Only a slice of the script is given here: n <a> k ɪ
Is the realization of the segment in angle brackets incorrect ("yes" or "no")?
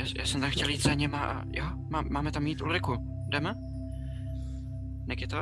yes